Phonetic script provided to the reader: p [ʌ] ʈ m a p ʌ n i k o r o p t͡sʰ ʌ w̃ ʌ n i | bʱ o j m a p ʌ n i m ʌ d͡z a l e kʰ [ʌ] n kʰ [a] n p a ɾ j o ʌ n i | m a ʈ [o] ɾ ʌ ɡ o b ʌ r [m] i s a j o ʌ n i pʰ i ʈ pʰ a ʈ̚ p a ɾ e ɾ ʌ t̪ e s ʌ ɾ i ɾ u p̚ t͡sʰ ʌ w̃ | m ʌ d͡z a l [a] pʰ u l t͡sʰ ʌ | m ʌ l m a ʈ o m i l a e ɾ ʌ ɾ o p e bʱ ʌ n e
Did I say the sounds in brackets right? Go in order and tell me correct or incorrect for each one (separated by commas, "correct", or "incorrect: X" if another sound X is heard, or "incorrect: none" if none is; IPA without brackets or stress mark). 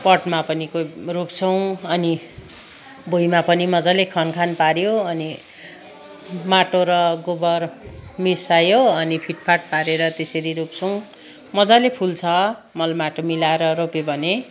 correct, correct, correct, correct, correct, incorrect: e